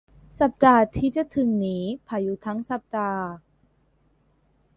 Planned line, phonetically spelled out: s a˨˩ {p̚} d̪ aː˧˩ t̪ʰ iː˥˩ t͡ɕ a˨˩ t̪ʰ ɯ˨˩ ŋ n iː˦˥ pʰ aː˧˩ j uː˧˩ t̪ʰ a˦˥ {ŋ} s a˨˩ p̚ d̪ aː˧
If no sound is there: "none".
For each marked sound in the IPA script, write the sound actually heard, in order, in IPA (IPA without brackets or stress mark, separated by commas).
p̚, ŋ